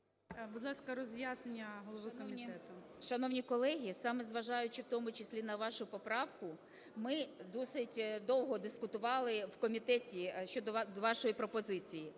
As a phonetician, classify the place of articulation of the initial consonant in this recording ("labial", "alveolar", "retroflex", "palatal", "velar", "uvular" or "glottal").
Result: labial